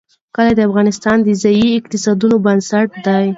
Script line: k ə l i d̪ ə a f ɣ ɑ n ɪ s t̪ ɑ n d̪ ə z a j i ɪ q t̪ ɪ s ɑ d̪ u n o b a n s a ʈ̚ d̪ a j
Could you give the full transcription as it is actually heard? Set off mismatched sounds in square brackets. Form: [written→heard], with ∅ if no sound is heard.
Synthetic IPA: k ə l [i→a] d̪ ə a f ɣ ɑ n ɪ s t̪ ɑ n d̪ ə z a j i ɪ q t̪ ɪ s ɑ d̪ u n o b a n s a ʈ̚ d̪ a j